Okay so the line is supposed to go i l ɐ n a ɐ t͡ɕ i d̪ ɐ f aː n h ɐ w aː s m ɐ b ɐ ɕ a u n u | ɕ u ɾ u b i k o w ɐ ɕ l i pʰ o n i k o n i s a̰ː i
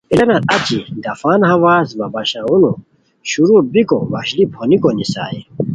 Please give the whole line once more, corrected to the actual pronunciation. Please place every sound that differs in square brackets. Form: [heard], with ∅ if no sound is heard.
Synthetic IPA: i l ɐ n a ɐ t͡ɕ i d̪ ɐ f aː n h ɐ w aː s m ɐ b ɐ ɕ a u n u | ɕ u ɾ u b i k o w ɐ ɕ l i pʰ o n i k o n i s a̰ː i

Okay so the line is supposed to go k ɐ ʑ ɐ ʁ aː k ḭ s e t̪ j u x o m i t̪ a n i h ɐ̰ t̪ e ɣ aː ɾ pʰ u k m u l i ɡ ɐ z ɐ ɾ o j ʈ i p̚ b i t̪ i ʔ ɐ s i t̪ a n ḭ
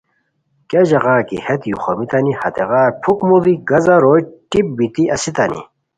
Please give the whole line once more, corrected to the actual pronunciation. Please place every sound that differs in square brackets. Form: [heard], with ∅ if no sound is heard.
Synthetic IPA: k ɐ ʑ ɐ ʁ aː k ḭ [h] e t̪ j u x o m i t̪ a n i h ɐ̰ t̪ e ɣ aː ɾ pʰ u k m u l i ɡ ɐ z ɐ ɾ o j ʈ i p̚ b i t̪ i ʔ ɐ s i t̪ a n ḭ

